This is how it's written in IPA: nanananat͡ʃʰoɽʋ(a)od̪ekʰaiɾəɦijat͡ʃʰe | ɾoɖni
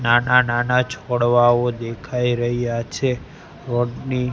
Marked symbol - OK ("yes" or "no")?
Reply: yes